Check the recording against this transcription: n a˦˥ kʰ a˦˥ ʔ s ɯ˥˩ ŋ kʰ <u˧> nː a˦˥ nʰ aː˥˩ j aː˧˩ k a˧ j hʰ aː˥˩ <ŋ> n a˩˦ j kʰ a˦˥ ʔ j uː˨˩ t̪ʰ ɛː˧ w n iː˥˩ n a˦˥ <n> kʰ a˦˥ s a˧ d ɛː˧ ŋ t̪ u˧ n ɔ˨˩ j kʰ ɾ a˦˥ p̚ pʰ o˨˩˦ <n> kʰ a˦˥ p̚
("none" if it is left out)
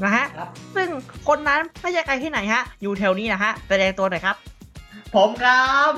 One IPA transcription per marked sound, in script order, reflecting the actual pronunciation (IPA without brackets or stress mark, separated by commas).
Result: o˧, none, none, m